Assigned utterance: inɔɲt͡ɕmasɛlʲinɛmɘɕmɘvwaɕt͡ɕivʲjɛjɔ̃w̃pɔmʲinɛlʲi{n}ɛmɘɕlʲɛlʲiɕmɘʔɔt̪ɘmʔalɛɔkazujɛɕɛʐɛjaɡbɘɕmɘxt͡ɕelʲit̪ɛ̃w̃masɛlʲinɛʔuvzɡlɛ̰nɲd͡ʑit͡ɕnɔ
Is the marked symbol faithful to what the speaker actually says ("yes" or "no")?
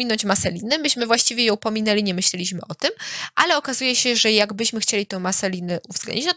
no